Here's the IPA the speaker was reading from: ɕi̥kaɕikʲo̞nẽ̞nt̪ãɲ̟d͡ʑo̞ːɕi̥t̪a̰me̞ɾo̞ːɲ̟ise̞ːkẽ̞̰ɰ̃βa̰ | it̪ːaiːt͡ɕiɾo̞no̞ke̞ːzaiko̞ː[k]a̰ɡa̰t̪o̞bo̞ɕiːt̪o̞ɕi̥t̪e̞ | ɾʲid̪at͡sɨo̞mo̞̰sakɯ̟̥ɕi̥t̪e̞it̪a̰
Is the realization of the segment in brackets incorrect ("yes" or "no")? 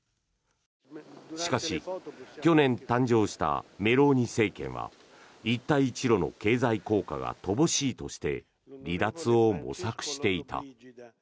no